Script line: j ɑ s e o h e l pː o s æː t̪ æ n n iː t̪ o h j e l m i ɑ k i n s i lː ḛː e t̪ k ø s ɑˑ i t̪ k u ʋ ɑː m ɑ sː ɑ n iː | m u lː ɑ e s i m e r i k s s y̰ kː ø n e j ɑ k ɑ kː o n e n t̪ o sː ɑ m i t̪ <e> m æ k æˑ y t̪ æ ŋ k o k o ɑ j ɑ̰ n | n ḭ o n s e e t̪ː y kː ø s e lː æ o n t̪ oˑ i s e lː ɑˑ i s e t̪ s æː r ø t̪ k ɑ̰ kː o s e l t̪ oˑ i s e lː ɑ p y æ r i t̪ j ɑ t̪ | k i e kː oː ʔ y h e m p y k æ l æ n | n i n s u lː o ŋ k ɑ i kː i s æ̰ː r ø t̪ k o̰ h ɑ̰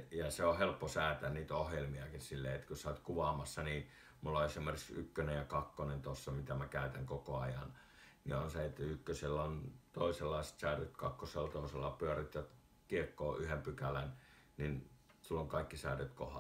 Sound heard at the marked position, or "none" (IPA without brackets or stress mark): æ